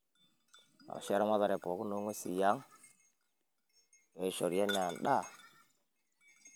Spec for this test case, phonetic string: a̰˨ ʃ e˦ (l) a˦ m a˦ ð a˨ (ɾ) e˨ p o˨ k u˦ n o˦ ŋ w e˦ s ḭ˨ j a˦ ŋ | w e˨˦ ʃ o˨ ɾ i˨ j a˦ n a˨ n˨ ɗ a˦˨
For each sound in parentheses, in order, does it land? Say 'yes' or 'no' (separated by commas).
no, yes